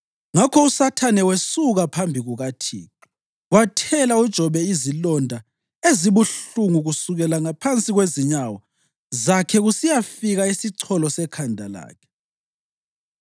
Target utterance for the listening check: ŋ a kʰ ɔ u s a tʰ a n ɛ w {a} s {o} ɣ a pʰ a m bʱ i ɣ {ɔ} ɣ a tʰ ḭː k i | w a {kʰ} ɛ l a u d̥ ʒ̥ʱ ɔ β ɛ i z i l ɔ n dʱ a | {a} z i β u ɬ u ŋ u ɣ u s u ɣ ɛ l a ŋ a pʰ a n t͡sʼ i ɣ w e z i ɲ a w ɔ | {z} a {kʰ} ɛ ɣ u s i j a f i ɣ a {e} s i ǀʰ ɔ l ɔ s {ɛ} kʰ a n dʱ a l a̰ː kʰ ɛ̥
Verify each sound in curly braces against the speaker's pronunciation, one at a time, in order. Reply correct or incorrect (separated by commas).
incorrect, incorrect, incorrect, incorrect, incorrect, correct, correct, incorrect, correct